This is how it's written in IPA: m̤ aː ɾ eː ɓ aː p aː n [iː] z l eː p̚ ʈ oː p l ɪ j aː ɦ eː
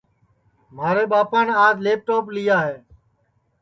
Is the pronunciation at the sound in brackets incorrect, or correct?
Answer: incorrect